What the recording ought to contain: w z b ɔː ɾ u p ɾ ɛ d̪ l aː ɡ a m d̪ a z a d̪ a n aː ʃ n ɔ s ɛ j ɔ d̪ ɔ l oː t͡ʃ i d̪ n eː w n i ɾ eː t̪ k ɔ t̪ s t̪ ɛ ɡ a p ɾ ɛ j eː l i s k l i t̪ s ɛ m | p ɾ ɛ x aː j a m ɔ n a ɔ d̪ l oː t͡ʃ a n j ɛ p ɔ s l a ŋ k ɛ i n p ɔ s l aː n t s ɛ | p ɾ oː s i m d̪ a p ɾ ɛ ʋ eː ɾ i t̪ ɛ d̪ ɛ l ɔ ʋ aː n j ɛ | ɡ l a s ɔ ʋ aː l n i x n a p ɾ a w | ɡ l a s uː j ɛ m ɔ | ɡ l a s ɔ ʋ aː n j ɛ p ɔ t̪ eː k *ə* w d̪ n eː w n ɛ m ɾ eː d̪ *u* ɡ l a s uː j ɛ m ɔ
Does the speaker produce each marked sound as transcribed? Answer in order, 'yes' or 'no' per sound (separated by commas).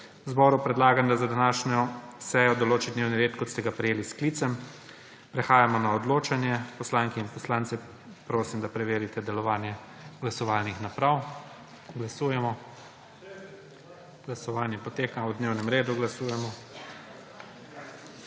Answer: no, yes